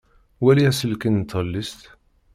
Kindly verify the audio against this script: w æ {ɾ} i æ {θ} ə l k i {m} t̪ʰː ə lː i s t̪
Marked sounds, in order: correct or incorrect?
incorrect: l, incorrect: s, incorrect: n

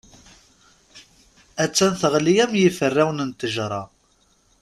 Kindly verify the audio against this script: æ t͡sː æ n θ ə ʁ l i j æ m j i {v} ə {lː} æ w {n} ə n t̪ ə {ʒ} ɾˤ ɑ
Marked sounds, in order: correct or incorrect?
incorrect: f, incorrect: rː, correct, correct

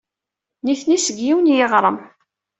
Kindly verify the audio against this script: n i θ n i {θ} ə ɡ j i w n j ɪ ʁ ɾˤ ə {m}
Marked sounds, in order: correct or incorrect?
incorrect: s, correct

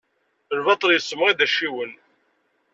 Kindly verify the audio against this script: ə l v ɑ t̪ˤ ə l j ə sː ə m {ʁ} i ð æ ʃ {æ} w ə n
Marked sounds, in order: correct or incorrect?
correct, incorrect: i

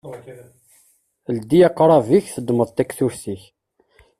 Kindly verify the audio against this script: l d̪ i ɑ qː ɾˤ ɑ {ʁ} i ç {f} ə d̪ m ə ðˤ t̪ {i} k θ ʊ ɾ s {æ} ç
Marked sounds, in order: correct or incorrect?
incorrect: v, incorrect: θ, incorrect: æ, incorrect: i

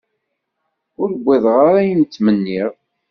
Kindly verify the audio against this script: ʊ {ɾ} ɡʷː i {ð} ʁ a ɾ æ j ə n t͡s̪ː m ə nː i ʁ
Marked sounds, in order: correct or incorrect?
correct, correct

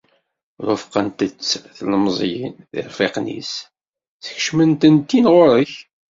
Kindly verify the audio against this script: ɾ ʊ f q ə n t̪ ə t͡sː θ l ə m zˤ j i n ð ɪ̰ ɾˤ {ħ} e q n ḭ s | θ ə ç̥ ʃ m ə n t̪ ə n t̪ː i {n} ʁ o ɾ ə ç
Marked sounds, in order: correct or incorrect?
incorrect: f, correct

